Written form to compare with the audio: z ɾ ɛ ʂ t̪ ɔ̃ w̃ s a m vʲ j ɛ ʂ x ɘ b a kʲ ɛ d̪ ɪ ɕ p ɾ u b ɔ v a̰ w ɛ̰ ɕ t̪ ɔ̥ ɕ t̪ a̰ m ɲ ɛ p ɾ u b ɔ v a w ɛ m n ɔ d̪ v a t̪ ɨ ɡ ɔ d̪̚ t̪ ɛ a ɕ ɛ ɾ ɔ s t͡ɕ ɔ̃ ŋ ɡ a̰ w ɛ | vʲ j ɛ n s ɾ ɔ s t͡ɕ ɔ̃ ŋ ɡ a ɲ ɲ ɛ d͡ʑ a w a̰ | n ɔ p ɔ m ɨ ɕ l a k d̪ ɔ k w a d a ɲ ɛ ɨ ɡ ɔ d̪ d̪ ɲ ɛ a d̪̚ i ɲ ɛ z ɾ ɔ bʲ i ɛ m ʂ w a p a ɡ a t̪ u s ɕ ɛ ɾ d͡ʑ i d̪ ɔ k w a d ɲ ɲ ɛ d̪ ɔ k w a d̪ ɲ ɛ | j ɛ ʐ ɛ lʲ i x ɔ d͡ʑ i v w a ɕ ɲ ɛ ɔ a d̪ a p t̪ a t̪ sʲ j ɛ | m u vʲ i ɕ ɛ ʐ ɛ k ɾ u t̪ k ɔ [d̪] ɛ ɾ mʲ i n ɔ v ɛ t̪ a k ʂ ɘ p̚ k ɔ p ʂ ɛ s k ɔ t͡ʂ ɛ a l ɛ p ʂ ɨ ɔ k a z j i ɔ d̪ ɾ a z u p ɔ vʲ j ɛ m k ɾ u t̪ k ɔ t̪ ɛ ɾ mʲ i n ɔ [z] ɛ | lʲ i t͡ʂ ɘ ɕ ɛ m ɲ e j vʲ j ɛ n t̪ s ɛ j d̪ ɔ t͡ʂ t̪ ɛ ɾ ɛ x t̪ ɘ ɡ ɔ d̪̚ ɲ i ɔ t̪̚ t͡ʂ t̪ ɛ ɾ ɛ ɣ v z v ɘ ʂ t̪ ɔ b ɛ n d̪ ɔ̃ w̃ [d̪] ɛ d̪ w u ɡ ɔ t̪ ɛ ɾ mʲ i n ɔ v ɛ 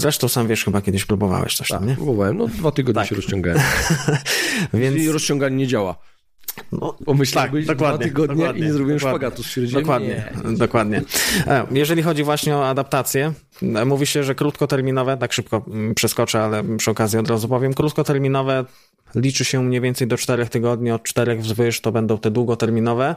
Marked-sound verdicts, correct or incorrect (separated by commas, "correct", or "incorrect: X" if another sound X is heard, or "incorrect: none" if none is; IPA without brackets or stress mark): incorrect: t̪, incorrect: v, incorrect: t̪